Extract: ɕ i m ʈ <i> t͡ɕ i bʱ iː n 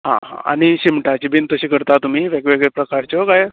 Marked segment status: incorrect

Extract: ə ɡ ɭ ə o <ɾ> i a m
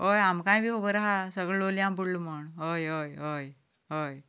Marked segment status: incorrect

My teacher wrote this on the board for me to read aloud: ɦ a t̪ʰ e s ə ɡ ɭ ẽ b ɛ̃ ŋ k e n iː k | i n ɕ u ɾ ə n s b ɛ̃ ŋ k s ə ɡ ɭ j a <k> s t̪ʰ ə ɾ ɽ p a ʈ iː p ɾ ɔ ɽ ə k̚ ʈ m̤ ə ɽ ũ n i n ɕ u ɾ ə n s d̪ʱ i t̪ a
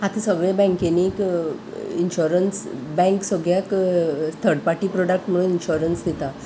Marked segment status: correct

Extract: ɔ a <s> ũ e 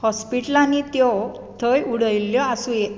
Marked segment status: correct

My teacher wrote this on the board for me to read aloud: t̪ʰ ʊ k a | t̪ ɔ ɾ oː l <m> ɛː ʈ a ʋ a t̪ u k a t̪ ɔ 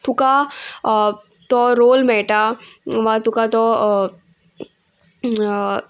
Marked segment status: correct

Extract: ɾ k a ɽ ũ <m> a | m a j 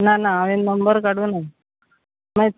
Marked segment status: incorrect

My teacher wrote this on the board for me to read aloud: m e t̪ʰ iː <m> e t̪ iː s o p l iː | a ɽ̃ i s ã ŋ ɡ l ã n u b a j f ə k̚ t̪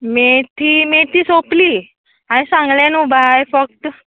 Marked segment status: correct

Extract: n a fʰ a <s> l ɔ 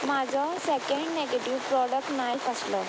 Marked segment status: correct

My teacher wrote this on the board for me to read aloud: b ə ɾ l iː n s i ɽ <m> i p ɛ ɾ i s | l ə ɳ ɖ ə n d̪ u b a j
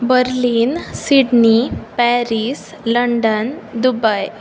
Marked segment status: incorrect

